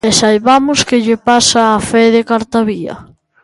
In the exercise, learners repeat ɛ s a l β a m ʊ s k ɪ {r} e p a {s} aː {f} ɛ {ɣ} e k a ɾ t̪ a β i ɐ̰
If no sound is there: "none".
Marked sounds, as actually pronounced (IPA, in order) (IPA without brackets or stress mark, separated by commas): ʎ, s, f, ð